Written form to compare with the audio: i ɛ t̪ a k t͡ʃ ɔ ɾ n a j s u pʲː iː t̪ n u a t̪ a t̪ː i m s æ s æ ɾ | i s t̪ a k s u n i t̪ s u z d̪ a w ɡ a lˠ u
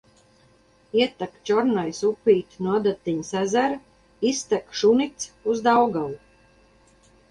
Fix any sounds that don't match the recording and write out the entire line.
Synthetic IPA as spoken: i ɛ t̪ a k t͡ʃ ɔ ɾ n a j s u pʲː iː t̪ n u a d̪ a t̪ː i ɲ s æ z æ ɾ | i s t̪ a k ʃ u n i t̪ s u z d̪ a w ɡ a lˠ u